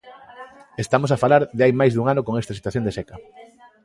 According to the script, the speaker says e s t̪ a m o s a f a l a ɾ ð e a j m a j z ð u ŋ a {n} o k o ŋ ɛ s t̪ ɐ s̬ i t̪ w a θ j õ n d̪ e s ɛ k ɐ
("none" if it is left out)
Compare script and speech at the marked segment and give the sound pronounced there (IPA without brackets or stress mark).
n